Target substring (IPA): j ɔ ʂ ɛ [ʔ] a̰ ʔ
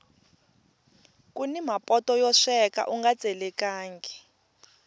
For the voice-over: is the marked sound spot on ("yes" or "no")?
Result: no